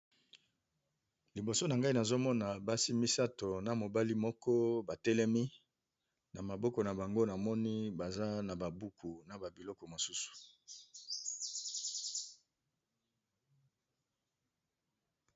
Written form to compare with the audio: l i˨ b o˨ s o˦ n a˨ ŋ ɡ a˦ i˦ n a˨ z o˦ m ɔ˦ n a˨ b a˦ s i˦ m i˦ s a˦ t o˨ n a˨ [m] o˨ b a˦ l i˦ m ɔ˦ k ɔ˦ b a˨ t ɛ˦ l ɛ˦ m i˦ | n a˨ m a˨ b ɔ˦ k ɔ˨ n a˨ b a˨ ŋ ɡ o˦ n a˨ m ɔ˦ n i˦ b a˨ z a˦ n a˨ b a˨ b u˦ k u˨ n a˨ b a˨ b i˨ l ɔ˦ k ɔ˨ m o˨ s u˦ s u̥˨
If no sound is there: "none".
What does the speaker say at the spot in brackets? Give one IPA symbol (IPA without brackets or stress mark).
m